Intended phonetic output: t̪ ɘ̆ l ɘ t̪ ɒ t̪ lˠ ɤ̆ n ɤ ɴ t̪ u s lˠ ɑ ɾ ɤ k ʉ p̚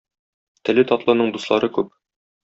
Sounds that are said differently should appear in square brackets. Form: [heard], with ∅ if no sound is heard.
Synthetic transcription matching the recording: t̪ ɘ̆ l ɘ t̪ ɒ t̪ lˠ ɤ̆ n ɤ ɴ [d̪] u s lˠ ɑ ɾ ɤ k ʉ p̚